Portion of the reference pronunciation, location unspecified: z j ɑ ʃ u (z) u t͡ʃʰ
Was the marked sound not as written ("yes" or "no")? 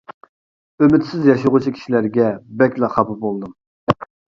yes